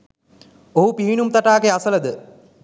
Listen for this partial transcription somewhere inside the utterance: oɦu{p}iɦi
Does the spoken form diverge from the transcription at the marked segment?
no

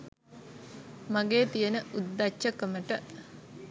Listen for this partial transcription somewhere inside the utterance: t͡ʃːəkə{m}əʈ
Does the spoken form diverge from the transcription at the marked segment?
no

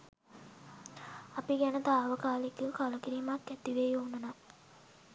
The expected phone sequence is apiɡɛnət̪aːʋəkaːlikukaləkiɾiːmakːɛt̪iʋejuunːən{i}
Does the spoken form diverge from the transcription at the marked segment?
yes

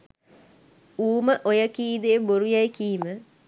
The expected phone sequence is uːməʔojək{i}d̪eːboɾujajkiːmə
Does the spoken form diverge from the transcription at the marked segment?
yes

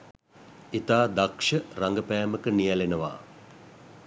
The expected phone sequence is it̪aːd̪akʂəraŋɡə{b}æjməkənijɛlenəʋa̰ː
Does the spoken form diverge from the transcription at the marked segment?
yes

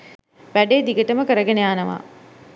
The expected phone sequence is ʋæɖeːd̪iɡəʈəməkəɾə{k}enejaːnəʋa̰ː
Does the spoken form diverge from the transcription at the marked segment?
yes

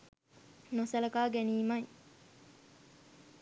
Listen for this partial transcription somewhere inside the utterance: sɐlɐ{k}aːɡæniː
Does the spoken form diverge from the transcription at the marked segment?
no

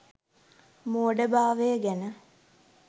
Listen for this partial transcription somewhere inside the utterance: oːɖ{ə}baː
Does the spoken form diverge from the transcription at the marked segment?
no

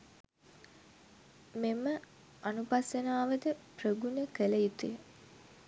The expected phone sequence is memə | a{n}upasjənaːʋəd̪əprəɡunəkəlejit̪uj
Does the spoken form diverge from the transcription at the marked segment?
no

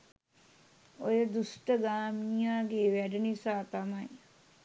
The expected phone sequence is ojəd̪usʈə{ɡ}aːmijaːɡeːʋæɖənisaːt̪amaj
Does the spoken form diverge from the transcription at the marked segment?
no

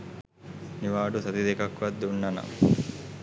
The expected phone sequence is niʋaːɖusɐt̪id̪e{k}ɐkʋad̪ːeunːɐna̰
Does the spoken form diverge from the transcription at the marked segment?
no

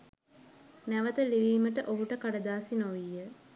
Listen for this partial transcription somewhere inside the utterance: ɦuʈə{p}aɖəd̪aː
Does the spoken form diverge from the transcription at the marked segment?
yes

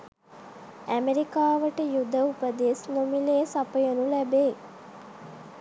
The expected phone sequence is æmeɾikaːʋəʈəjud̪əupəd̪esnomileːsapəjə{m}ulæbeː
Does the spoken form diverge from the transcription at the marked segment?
yes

